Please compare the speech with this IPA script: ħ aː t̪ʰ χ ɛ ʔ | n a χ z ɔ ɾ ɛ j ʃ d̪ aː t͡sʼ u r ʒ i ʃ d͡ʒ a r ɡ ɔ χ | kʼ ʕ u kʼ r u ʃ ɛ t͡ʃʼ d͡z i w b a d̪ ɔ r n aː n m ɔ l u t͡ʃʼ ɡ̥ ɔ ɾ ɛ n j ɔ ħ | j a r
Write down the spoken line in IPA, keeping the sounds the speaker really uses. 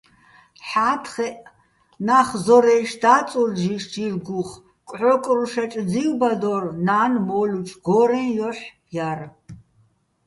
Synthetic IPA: ħ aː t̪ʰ χ ɛ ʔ | n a χ z ɔ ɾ ɛ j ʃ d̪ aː t͡sʼ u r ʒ i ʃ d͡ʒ i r ɡ u χ | kʼ ʕ ɔ kʼ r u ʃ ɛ t͡ʃʼ d͡z i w b a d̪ ɔ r n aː n m ɔ l u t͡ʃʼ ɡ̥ ɔ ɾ ɛ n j ɔ ħ | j a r